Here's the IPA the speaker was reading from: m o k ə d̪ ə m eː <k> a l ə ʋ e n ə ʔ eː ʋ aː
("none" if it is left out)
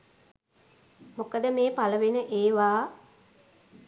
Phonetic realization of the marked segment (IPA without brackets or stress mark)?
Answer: p